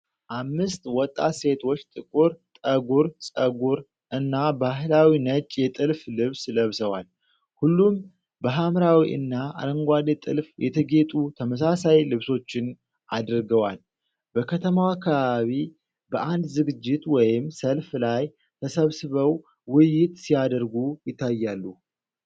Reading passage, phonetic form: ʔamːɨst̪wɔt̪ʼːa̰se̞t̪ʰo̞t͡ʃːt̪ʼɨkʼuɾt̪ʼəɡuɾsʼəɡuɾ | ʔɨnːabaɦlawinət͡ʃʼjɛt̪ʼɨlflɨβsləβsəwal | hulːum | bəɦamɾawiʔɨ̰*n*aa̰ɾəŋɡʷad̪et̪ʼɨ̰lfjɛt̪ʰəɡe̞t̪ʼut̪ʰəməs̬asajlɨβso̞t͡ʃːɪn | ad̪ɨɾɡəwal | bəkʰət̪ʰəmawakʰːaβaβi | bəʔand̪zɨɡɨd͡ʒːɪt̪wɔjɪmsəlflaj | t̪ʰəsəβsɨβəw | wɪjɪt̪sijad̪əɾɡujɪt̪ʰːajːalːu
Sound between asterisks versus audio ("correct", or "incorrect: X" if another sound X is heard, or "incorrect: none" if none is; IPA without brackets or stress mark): incorrect: nː